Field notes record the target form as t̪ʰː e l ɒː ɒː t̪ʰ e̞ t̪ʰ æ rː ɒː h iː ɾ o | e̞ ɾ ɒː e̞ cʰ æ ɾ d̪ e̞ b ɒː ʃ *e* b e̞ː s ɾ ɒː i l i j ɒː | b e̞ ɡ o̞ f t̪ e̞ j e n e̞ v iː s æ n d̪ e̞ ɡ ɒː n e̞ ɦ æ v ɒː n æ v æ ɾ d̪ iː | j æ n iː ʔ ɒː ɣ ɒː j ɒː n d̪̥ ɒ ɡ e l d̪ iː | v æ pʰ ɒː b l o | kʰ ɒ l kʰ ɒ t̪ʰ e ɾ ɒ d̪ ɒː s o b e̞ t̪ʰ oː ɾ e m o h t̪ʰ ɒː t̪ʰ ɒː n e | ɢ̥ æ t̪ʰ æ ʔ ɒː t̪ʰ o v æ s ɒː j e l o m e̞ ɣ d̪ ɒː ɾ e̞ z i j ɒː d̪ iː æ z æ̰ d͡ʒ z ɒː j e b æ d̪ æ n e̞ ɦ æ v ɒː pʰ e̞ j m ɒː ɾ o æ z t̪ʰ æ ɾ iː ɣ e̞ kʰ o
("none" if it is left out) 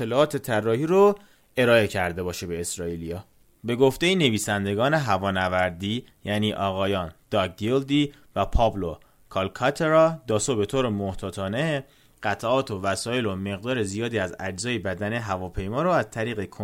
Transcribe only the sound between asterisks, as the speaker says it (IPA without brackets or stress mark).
e